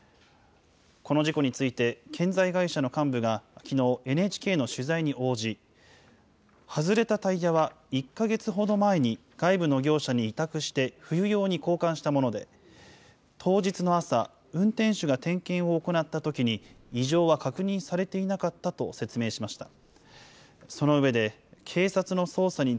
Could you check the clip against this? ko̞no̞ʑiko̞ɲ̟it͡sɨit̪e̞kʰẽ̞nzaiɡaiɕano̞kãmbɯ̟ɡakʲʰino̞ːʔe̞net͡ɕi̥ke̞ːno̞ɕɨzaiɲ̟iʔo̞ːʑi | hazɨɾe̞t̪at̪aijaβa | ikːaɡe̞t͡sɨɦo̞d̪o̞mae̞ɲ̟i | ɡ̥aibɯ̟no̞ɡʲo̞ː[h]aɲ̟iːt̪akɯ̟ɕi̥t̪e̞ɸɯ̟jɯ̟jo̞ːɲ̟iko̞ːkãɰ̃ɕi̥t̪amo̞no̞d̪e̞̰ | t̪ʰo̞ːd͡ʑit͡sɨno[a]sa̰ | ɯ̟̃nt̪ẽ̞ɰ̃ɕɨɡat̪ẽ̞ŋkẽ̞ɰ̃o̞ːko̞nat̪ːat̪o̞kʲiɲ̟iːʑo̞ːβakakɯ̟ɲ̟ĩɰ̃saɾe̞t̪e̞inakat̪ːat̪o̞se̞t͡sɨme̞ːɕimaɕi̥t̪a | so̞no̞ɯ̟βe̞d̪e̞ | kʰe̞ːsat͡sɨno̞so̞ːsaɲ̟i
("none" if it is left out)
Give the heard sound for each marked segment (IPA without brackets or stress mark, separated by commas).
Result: ɕ, a